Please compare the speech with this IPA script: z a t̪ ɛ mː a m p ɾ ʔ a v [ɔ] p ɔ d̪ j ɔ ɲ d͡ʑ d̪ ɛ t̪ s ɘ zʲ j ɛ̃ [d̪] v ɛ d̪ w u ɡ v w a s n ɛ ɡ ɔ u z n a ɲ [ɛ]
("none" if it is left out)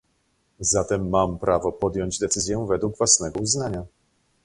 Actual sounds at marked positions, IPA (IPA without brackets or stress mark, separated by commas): ɔ, none, a